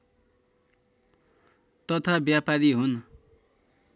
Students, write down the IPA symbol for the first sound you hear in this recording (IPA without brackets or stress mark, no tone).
t̪